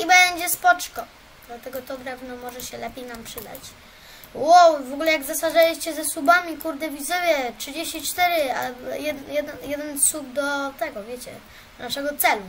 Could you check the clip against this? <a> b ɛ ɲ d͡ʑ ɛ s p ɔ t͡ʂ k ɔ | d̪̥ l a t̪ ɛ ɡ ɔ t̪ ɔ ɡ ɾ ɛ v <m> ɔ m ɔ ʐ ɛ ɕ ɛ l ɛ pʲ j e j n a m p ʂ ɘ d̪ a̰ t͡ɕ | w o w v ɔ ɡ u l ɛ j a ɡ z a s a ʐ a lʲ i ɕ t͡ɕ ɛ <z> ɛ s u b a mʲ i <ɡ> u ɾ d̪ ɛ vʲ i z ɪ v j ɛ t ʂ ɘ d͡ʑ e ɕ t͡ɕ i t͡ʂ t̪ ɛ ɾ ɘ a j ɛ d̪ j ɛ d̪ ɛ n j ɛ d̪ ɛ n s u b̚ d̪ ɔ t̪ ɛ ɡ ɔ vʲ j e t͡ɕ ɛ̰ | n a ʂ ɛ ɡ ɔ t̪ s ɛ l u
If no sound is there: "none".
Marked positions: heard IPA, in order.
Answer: i, n, z, k

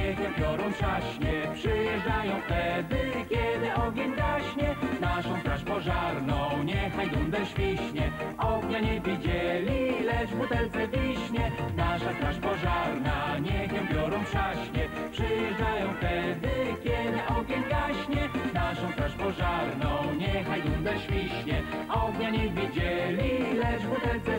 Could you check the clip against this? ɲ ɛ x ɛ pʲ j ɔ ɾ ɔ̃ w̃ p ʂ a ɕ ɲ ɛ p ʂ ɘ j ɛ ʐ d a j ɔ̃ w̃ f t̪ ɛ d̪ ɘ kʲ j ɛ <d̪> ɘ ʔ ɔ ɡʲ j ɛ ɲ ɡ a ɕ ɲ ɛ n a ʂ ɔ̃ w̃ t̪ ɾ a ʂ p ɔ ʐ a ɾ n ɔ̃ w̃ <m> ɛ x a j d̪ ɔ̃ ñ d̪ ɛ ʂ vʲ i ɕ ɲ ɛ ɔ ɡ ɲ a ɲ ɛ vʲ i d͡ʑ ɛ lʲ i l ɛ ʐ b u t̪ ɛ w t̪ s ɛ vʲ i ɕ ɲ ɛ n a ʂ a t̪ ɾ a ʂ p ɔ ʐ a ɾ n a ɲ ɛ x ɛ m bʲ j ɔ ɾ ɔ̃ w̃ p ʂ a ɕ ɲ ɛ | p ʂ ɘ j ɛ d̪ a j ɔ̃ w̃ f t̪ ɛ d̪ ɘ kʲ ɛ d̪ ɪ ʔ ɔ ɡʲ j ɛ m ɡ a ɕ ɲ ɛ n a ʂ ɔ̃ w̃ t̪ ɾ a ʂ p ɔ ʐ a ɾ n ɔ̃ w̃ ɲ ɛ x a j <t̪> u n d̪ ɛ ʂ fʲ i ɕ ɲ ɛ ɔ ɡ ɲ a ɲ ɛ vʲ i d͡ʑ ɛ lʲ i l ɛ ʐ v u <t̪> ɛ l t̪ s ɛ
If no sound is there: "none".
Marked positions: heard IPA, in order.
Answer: d̪, ɲ, d̪, t̪

